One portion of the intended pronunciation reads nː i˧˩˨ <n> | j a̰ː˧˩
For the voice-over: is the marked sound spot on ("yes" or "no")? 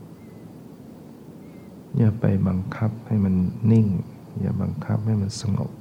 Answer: no